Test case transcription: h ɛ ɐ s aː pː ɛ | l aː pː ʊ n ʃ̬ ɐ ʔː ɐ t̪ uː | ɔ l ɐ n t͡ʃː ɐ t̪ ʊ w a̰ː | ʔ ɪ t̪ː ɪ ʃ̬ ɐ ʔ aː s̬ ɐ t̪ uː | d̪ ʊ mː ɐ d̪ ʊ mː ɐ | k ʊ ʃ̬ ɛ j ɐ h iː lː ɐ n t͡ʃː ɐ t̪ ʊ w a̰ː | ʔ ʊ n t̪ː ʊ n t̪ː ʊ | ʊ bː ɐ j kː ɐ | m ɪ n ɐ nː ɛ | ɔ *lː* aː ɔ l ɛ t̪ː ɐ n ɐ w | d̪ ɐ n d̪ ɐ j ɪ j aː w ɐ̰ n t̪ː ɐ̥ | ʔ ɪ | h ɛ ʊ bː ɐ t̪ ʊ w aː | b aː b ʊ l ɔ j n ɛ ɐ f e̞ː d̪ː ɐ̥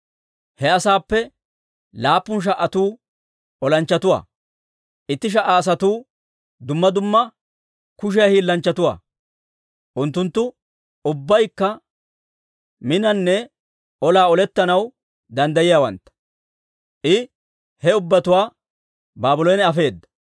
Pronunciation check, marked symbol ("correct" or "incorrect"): incorrect